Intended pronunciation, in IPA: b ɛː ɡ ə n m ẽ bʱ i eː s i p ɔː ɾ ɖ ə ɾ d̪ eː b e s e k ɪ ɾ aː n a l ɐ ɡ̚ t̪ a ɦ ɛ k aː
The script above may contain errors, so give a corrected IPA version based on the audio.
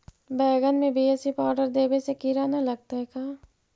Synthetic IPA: b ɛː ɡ ə n m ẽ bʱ i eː s i p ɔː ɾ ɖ ə ɾ d̪ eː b e s e k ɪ ɾ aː n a l ɐ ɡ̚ t̪ a ɦ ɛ k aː